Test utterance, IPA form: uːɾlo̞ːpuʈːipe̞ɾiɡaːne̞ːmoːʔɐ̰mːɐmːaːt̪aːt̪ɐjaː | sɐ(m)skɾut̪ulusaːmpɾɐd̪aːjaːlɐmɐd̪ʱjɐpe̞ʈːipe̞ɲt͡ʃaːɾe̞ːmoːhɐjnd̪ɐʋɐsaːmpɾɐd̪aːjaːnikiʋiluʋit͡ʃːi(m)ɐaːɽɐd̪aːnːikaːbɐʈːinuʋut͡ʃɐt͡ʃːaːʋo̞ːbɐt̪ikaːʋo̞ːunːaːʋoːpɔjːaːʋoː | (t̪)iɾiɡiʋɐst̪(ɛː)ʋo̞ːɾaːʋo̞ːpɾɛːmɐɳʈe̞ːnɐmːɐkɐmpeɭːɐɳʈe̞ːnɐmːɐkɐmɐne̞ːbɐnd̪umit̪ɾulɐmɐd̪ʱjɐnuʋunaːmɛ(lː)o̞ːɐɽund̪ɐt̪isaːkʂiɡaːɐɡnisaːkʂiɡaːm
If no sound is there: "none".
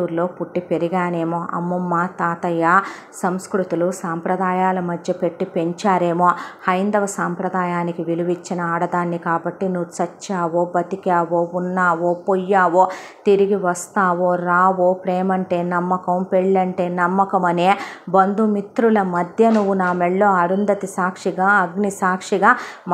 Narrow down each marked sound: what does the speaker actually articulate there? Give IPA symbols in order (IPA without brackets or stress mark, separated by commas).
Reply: m, n, t̪, aː, ɭː